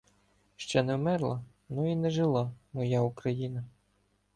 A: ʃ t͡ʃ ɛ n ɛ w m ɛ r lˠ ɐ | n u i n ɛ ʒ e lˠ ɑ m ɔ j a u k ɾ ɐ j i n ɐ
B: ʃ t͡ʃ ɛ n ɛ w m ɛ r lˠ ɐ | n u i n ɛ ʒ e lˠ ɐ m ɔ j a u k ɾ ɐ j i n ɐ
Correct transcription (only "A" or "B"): A